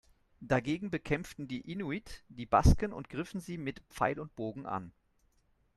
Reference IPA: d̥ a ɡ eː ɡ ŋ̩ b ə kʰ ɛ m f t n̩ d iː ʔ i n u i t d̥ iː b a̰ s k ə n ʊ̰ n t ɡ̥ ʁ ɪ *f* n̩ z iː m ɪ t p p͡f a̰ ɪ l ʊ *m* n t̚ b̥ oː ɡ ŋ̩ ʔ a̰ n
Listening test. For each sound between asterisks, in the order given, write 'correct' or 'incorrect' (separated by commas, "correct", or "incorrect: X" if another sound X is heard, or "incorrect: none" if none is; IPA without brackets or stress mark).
correct, incorrect: none